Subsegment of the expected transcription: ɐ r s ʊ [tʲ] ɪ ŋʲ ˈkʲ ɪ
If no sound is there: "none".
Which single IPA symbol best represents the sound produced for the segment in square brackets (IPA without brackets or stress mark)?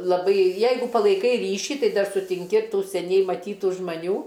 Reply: tʲ